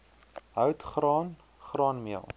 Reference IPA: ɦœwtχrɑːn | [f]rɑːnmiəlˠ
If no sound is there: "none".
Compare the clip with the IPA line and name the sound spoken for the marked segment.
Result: χ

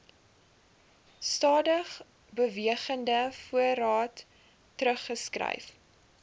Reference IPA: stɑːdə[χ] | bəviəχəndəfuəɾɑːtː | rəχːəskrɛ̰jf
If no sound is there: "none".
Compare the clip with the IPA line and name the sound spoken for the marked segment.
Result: χ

